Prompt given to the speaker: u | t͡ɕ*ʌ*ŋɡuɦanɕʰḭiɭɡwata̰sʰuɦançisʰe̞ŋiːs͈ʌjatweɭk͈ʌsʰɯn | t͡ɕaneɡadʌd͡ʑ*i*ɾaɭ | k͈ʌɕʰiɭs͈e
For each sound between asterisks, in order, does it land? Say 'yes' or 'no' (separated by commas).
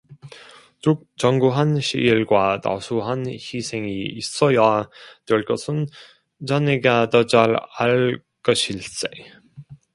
yes, no